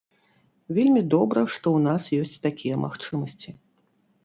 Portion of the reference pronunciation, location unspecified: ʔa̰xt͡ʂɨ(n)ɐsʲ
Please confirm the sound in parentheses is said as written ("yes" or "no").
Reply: no